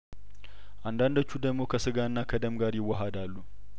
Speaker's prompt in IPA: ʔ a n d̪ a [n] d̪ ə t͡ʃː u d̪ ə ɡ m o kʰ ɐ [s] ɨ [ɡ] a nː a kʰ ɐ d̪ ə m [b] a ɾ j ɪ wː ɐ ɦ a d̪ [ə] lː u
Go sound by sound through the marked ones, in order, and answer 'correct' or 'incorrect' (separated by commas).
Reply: correct, correct, correct, incorrect, incorrect